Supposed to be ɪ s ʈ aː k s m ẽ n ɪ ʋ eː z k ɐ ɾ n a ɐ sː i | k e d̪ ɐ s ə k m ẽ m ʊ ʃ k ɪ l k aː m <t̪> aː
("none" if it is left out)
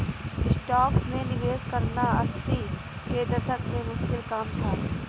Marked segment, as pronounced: t̪ʰ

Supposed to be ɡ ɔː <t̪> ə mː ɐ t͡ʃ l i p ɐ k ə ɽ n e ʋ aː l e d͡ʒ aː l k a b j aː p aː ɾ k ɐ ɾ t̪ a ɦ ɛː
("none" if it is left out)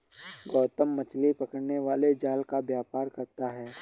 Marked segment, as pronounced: t̪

